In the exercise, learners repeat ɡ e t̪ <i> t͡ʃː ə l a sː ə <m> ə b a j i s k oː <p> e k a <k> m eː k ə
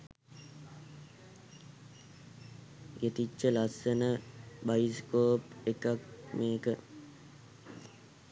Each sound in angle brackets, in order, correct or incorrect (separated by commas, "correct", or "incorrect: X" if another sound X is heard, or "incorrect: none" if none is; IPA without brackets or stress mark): correct, incorrect: n, correct, correct